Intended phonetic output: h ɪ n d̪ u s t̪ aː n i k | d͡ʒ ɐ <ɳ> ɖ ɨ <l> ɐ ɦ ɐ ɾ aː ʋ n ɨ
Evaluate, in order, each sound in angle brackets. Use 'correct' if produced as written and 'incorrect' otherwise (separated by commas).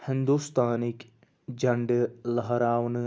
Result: correct, correct